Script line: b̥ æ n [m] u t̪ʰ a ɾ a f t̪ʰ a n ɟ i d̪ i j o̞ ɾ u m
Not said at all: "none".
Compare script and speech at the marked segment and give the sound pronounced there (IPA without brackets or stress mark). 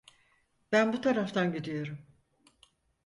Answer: b